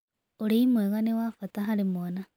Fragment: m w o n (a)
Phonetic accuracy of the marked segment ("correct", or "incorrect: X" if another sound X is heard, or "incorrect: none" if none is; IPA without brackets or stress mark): correct